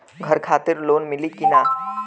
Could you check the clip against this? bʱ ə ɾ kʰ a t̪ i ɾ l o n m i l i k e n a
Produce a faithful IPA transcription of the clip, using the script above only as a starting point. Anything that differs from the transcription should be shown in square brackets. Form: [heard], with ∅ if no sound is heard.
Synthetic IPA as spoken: [ɡʱ] ə ɾ kʰ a t̪ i ɾ l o n m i l i k [i] n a